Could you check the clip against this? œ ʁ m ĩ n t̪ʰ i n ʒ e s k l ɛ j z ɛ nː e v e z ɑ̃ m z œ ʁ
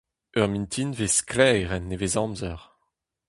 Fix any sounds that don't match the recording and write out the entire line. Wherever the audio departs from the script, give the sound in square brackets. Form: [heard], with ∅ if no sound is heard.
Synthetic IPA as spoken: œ ʁ m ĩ n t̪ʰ i n [v] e s k l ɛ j [ʁ] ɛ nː e v e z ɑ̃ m z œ ʁ